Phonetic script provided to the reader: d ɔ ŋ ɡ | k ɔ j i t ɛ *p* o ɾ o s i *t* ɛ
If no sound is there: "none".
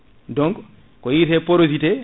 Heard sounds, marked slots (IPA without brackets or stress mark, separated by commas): p, t